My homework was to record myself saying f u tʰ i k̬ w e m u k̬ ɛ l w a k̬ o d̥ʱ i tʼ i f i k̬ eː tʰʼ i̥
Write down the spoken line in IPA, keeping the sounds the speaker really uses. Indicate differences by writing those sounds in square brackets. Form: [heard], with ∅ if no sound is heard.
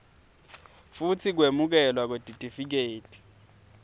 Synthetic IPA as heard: f u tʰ i k̬ w e m u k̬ ɛ l w a k̬ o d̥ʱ i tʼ i f i k̬ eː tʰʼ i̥